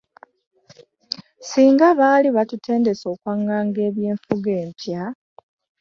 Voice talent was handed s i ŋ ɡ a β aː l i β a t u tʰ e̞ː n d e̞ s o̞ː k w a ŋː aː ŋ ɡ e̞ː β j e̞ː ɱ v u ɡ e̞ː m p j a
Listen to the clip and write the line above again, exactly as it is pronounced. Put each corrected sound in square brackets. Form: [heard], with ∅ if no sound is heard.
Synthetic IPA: s [iː] ŋ ɡ a β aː l i β a t u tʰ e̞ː n d e̞ s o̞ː k w a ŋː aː ŋ ɡ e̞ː β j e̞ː ɱ [f] u ɡ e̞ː m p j a